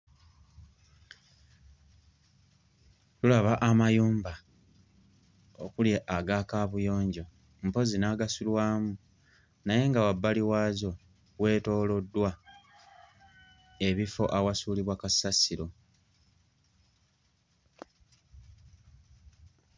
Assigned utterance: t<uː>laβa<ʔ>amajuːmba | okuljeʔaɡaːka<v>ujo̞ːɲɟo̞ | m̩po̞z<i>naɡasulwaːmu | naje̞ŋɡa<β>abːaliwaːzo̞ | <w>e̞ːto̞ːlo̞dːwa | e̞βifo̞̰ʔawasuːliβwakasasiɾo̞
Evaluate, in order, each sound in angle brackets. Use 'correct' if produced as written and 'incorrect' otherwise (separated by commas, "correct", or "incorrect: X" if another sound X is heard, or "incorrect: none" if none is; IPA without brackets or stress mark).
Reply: incorrect: u, correct, incorrect: β, correct, incorrect: w, correct